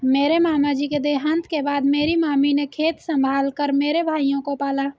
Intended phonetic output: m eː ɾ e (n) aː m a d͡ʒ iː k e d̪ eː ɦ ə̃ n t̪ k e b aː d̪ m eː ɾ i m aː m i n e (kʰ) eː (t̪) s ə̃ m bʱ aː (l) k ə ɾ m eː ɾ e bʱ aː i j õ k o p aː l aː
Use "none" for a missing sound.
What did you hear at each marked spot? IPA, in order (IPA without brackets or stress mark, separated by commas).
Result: m, kʰ, t̪, l